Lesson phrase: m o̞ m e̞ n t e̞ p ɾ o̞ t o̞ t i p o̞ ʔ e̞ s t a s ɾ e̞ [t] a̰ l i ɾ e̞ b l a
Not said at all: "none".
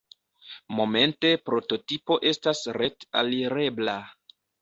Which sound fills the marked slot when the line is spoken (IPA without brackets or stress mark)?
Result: t